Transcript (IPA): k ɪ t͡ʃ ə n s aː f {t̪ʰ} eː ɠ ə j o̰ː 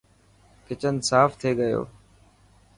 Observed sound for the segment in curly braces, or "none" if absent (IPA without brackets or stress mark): t̪ʰ